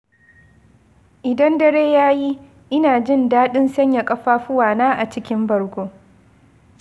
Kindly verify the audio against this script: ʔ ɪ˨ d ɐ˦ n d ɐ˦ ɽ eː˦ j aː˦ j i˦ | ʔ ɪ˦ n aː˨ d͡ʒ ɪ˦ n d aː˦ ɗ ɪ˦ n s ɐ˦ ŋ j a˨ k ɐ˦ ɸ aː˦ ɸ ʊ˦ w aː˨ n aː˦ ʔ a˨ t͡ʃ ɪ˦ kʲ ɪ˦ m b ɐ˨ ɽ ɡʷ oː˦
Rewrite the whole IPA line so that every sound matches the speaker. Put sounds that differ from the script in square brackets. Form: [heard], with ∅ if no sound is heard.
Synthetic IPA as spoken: ʔ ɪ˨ d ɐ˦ n d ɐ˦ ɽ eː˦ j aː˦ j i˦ | ʔ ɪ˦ n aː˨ d͡ʒ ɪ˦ n d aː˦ ɗ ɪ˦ n s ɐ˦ [ɲ] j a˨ [kʼ] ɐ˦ ɸ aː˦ ɸ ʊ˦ w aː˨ n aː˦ ʔ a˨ t͡ʃ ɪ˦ kʲ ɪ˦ m b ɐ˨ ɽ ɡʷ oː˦